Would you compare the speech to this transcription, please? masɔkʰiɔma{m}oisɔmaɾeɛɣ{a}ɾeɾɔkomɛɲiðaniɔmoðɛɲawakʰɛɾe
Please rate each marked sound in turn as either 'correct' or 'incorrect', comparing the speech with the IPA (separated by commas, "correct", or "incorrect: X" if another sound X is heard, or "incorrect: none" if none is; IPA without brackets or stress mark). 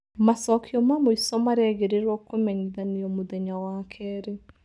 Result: correct, incorrect: e